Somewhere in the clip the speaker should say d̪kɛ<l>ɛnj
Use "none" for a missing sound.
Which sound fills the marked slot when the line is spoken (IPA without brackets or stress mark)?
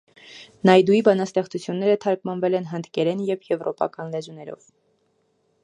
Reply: ɾ